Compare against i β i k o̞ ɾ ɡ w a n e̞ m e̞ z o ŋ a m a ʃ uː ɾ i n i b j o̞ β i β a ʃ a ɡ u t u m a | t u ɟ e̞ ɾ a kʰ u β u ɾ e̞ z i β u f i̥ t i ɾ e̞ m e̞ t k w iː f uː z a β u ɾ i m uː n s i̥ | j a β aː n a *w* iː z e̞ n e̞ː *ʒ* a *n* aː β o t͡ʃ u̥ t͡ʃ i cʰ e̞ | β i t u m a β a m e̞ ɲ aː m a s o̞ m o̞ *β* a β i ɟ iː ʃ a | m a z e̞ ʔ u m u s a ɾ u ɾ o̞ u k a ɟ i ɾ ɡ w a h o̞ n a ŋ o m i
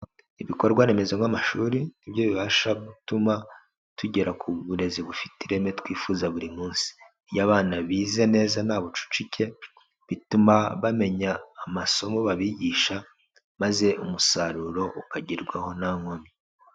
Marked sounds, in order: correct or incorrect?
incorrect, incorrect, correct, correct

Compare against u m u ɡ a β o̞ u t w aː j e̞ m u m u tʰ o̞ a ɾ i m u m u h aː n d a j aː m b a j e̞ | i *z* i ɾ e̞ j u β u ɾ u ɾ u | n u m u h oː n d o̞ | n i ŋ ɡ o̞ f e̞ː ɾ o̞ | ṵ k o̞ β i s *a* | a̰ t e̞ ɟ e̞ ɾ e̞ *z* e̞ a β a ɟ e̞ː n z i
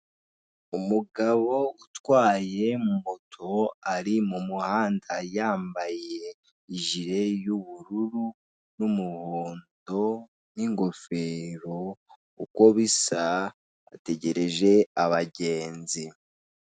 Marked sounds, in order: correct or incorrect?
incorrect, correct, incorrect

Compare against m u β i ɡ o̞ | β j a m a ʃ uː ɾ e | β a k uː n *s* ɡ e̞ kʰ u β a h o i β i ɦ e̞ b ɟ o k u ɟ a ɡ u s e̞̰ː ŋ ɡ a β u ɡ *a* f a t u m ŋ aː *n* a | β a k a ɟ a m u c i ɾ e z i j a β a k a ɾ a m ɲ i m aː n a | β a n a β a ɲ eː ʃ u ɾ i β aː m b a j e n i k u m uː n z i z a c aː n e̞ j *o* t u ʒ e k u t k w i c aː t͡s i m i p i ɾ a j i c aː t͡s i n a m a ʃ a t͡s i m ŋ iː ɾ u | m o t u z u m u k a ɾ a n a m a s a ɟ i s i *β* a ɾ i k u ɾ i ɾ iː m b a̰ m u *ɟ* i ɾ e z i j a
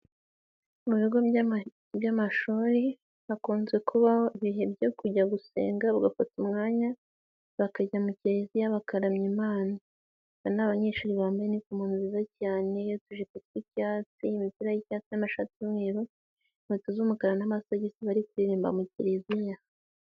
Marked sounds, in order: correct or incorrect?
incorrect, correct, incorrect, correct, correct, incorrect

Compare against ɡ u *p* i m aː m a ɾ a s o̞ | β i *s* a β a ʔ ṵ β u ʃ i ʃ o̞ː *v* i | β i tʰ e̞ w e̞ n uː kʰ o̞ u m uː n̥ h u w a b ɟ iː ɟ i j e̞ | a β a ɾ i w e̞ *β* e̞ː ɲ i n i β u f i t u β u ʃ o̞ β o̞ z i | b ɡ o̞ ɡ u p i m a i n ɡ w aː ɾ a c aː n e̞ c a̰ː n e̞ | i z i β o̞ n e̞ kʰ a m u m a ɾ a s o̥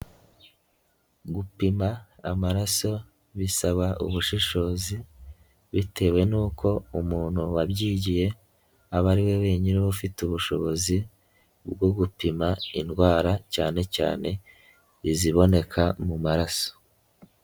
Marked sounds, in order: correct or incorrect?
correct, correct, incorrect, incorrect

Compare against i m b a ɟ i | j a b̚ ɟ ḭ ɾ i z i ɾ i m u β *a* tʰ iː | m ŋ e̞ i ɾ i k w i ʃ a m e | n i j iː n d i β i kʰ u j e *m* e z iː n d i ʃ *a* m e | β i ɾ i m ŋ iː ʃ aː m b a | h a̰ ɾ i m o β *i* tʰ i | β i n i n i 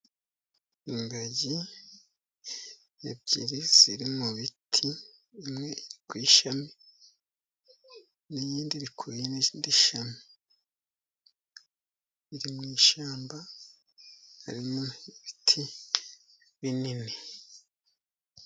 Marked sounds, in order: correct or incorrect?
incorrect, incorrect, correct, correct

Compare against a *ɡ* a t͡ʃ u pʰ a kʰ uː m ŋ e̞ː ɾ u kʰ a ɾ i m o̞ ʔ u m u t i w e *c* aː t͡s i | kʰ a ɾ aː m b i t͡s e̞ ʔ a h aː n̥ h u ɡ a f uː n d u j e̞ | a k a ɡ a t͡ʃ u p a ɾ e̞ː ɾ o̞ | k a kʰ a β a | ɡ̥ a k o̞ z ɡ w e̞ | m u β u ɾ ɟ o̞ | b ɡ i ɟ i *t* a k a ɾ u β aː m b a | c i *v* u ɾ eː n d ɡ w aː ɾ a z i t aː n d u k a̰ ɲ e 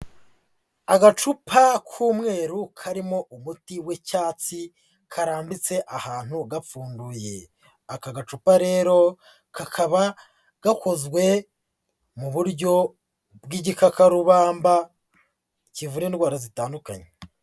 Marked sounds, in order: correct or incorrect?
correct, correct, incorrect, correct

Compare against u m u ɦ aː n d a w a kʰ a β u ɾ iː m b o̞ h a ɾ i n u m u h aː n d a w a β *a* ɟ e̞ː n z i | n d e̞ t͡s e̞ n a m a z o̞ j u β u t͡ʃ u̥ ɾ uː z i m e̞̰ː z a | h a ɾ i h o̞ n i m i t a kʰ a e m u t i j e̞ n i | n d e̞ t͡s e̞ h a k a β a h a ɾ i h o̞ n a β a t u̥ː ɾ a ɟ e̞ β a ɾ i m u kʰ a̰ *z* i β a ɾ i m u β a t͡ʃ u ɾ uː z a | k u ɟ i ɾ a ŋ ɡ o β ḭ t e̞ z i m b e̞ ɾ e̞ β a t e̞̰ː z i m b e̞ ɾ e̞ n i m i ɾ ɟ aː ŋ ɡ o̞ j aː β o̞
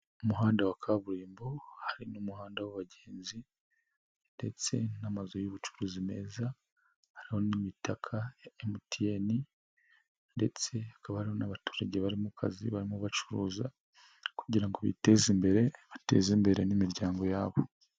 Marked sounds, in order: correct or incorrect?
correct, correct

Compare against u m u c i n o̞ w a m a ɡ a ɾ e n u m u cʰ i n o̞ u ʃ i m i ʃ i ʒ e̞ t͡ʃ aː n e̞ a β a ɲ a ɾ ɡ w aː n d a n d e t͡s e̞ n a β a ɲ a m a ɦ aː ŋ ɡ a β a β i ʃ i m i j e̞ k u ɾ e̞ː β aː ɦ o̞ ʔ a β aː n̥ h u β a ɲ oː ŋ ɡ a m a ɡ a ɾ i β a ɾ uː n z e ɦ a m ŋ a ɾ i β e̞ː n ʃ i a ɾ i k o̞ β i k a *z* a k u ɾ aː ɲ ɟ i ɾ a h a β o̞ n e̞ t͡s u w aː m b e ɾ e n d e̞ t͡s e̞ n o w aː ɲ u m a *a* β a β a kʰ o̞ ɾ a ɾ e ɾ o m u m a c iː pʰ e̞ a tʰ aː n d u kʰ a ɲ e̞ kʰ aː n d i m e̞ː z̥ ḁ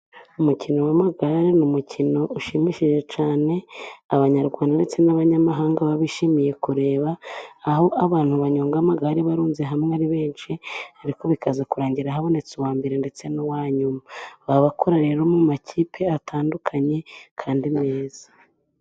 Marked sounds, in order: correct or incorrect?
correct, correct

